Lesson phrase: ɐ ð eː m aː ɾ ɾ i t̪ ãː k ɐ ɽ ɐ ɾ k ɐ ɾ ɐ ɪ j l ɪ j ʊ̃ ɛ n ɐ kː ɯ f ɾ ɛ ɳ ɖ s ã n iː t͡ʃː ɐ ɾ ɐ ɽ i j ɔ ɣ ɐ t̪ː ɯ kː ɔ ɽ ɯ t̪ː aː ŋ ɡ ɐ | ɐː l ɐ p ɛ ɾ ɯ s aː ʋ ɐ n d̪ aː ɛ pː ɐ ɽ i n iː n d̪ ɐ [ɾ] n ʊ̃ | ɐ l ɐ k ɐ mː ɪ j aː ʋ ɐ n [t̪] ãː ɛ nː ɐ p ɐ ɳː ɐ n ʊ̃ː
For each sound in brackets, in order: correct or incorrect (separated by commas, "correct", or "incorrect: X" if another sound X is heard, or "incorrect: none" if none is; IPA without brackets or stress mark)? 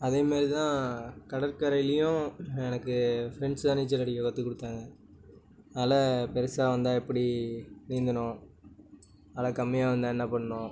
incorrect: none, incorrect: d̪